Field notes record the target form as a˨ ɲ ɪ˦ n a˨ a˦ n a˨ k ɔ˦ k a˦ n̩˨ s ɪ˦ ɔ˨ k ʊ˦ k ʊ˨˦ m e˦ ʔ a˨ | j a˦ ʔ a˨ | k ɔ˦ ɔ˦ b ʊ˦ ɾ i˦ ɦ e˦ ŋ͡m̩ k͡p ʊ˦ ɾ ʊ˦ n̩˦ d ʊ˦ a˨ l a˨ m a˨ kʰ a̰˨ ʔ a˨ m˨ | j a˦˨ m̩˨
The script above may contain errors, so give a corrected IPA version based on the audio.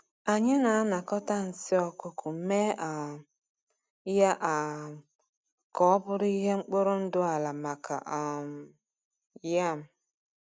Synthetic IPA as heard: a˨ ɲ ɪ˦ n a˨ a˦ n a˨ k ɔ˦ t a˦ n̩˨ s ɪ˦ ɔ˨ k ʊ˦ k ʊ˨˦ m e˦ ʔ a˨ | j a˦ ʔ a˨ | k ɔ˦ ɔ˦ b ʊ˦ ɾ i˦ ɦ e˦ ŋ͡m̩ k͡p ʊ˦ ɾ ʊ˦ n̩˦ d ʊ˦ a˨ l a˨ m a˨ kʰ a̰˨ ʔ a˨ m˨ | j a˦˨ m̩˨

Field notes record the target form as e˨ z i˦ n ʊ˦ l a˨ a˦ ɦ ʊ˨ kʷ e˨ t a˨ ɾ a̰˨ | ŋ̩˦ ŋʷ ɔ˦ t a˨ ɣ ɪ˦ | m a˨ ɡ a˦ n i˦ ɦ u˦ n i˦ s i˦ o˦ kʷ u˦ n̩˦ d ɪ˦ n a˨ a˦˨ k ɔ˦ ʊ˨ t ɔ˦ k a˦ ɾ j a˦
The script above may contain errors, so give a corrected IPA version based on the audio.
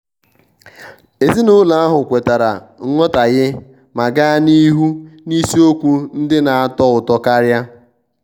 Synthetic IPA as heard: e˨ z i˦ n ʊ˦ l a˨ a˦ ɦ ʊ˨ kʷ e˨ t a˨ ɾ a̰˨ | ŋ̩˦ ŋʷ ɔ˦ t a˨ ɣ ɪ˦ | m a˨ ɡ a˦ n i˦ ɦ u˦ n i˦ s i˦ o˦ kʷ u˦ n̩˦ d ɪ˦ n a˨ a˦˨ t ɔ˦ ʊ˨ t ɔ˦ k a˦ ɾ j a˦

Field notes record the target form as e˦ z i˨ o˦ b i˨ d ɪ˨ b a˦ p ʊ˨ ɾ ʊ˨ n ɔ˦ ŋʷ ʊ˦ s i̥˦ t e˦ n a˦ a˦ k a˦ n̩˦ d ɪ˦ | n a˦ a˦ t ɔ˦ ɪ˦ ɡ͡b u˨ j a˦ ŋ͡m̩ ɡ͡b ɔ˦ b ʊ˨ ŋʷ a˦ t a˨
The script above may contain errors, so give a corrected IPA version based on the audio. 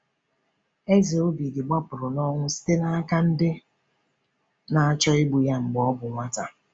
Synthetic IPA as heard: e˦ z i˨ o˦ b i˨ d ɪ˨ ɡ͡b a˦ p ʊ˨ ɾ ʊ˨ n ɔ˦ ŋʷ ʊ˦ s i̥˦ t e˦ n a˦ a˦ k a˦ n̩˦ d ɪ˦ | n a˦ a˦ t͡ʃ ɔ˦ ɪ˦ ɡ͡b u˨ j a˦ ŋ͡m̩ ɡ͡b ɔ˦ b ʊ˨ ŋʷ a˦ t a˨

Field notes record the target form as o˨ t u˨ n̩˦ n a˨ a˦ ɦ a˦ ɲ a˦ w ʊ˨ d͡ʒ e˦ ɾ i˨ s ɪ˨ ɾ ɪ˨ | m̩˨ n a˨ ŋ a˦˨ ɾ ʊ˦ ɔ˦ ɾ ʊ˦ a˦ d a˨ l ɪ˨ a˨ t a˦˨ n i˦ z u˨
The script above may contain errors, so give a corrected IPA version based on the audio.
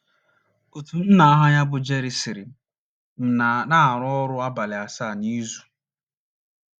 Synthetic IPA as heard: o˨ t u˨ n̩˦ n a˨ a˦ ɦ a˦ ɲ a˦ b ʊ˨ d͡ʒ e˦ ɾ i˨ s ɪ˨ ɾ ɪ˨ | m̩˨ n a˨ n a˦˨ ɾ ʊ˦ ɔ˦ ɾ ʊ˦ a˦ b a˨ l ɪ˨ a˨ s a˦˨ n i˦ z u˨

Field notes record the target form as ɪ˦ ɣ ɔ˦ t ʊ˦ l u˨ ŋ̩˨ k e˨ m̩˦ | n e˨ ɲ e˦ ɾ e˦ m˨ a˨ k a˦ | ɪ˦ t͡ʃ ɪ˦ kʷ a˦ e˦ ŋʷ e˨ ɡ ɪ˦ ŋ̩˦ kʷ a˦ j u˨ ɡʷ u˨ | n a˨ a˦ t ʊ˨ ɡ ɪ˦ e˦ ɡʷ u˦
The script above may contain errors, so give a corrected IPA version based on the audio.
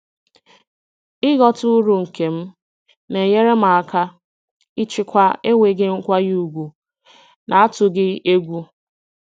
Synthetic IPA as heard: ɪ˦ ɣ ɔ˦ t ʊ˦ ɾ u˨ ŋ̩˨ k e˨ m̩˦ | n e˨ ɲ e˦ ɾ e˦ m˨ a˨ k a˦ | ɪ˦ t͡ʃ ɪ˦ kʷ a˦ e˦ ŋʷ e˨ ɡ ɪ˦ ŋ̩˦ kʷ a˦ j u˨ ɡʷ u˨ | n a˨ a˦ t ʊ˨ ɡ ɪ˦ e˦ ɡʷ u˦

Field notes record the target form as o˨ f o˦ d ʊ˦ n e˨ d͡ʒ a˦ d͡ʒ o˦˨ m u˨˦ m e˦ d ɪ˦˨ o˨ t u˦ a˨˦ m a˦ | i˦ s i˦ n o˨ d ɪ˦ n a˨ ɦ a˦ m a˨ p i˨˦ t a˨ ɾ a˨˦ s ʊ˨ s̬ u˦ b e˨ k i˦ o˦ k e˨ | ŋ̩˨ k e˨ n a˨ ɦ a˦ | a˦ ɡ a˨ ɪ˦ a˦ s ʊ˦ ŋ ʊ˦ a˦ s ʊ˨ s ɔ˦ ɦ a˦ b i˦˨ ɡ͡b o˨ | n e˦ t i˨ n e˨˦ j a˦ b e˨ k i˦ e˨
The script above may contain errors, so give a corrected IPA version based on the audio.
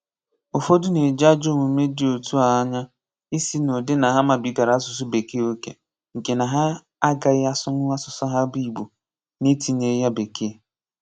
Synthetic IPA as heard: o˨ f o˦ d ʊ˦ n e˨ d͡ʒ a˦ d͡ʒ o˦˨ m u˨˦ m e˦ d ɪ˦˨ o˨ t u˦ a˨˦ ɲ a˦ | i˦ s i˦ n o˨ d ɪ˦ n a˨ ɦ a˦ m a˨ b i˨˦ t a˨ ɾ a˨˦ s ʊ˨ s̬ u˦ b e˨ k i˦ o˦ k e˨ | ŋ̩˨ k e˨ n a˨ ɦ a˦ | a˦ ɡ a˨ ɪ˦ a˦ s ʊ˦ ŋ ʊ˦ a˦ s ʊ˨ s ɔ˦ ɦ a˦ b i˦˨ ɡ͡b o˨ | n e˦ t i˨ n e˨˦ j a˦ b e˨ k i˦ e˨

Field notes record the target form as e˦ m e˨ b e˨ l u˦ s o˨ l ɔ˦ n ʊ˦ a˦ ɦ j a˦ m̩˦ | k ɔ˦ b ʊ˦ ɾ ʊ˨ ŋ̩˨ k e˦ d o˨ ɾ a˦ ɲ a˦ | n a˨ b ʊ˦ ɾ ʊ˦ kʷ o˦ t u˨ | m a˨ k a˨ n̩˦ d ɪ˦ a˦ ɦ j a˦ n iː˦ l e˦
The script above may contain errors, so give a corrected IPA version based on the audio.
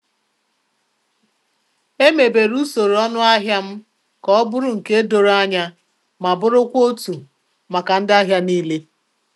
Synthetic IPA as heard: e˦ m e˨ b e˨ ɾ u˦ s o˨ ɾ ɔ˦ n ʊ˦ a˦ ɦ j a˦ m̩˦ | k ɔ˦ b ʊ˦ ɾ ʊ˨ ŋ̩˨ k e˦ d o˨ ɾ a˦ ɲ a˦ | m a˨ b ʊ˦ ɾ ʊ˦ kʷ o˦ t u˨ | m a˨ k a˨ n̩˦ d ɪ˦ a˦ ɦ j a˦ n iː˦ l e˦

